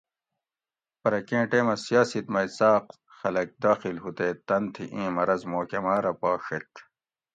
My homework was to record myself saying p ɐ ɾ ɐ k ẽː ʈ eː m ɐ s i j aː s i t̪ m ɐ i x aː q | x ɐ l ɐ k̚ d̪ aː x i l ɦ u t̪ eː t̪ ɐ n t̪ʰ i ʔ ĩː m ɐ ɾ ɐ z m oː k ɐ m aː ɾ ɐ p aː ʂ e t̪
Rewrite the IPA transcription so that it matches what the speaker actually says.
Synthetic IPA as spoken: p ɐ ɾ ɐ k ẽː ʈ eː m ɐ s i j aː s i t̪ m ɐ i s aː q | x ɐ l ɐ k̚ d̪ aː x i l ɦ u t̪ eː t̪ ɐ n t̪ʰ i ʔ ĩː m ɐ ɾ ɐ z m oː k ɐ m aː ɾ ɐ p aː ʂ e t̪